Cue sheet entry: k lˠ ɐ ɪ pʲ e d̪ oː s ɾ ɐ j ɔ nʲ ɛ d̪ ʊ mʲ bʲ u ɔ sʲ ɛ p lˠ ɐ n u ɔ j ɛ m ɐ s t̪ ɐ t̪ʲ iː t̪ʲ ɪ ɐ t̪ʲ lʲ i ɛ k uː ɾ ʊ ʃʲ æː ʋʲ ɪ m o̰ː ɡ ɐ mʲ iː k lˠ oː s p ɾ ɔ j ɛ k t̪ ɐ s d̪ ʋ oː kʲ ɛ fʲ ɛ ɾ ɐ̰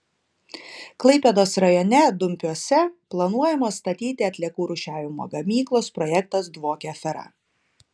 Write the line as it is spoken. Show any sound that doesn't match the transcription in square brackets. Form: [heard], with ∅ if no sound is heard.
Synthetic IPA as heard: k lˠ ɐ ɪ pʲ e d̪ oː s ɾ ɐ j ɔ nʲ ɛ d̪ ʊ mʲ [pʲ] u ɔ sʲ ɛ p lˠ ɐ n u ɔ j ɛ m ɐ s t̪ ɐ t̪ʲ iː t̪ʲ ɪ ɐ t̪ʲ lʲ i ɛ k uː ɾ ʊ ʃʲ æː ʋʲ ɪ m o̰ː ɡ ɐ mʲ iː k lˠ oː s p ɾ ɔ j ɛ k t̪ ɐ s d̪ ʋ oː kʲ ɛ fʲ ɛ ɾ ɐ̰